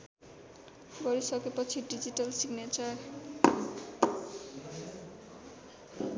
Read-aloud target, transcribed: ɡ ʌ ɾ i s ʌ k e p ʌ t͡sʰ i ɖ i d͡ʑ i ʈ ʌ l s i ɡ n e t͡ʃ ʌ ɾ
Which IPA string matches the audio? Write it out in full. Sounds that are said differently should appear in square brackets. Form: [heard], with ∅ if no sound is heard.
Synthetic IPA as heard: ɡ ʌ ɾ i s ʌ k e p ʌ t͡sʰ i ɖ i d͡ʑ i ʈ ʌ l s i ɡ n e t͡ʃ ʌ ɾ

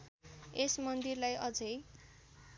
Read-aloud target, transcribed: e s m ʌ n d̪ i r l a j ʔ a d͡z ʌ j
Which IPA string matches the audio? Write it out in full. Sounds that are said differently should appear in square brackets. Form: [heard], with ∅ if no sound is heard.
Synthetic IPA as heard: e s m ʌ n d̪ i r l a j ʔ [ʌ] d͡z ʌ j

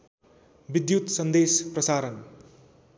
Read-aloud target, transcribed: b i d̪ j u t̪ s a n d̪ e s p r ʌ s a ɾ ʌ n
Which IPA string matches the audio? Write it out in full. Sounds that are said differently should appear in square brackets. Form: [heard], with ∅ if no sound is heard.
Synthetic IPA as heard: b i d̪ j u t̪ s [ʌ] n d̪ e s p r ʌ s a ɾ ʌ n

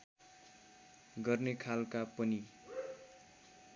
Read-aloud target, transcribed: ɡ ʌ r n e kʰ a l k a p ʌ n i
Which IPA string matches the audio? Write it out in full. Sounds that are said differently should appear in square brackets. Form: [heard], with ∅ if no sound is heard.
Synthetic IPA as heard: ɡ ʌ r n e kʰ a l k a p ʌ n i

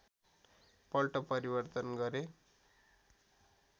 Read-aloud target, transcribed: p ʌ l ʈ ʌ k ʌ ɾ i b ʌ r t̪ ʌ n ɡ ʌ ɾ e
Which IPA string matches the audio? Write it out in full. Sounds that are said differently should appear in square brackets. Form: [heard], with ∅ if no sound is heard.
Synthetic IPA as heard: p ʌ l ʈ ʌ [p] ʌ ɾ i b ʌ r t̪ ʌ n ɡ ʌ ɾ e

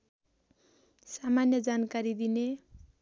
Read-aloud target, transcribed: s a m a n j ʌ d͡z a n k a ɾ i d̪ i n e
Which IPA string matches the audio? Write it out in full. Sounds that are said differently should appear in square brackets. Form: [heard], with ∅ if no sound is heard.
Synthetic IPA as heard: s a m a n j ʌ d͡z a n k a ɾ i d̪ i n e

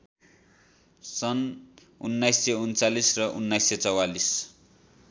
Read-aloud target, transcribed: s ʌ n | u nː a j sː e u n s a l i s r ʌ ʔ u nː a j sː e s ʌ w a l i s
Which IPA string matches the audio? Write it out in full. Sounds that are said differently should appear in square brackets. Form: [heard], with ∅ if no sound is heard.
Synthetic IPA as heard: s ʌ n | u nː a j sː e u n [t͡s] a l i s r ʌ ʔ u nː a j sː e [t͡s] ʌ w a l i s

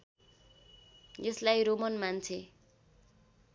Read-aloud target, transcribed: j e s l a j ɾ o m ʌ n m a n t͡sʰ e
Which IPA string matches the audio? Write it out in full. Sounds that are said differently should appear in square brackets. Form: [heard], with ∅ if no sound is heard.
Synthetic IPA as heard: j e s l a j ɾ o m ʌ n m a n t͡sʰ e

